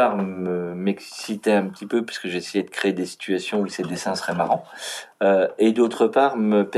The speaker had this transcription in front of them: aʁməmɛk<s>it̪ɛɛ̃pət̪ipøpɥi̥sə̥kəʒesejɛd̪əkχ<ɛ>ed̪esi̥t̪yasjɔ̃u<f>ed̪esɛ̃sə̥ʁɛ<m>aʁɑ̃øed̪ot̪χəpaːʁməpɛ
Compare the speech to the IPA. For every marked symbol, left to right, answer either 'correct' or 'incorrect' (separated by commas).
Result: correct, incorrect, incorrect, correct